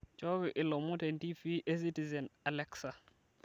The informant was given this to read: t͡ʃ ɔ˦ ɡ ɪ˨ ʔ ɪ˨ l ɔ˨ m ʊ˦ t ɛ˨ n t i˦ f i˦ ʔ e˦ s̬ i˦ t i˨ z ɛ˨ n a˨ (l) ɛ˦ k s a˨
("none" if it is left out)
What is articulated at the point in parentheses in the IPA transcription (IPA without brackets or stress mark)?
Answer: l